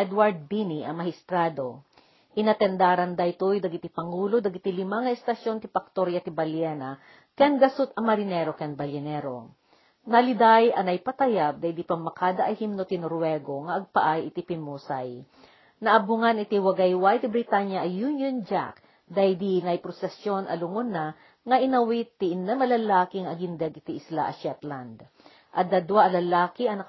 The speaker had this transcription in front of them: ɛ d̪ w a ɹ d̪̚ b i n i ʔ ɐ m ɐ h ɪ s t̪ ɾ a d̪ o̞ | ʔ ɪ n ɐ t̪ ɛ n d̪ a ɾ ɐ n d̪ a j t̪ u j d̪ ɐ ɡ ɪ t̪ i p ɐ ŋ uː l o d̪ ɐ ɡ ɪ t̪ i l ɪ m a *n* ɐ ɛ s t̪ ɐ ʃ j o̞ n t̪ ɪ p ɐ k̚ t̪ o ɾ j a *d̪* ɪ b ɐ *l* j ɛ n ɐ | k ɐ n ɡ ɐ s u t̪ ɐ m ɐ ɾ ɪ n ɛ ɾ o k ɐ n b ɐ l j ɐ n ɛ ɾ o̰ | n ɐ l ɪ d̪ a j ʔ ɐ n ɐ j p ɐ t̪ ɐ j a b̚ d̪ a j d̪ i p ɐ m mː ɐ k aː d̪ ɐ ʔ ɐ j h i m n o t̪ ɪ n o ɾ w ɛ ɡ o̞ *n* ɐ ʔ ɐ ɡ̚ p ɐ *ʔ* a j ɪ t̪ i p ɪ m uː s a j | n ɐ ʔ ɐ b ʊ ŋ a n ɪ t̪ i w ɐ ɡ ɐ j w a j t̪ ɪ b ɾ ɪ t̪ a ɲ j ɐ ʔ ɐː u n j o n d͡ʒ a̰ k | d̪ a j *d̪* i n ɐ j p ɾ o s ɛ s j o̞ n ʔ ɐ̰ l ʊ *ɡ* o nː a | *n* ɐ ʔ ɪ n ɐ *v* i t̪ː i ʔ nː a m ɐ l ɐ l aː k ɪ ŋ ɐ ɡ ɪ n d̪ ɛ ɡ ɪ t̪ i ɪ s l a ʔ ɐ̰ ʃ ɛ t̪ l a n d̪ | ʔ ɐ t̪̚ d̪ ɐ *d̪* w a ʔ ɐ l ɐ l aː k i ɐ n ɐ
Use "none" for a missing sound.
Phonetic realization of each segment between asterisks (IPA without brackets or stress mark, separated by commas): ŋ, t̪, l, ŋ, ʔ, d̪, ŋ, ŋ, w, d̪